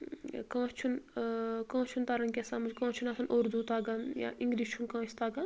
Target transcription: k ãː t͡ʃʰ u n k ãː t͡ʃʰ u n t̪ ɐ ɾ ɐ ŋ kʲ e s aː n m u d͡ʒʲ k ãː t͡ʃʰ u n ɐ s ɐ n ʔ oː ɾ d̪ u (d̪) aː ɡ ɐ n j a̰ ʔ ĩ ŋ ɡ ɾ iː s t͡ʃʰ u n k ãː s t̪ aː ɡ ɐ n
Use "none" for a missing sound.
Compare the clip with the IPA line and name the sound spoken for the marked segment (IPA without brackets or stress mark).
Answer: t̪